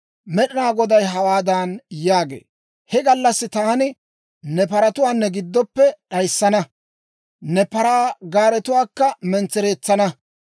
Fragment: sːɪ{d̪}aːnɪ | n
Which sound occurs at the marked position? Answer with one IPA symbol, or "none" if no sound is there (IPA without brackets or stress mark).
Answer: t̪